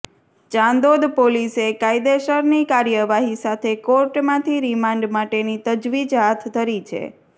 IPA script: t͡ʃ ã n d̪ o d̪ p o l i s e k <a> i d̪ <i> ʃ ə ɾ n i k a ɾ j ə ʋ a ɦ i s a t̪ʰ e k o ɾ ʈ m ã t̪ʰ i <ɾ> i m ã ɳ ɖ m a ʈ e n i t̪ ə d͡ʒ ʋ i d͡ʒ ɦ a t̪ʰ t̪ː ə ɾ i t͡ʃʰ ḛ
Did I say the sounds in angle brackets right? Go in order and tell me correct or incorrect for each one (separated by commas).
correct, incorrect, correct